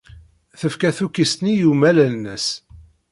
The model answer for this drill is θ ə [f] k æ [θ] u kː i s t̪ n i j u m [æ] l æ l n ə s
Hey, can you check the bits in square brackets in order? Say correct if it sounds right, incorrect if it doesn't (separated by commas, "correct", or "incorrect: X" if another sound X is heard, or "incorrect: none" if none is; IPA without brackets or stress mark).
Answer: correct, correct, correct